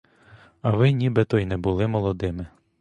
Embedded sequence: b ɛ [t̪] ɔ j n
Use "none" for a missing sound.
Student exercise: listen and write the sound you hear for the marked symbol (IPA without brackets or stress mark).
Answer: t̪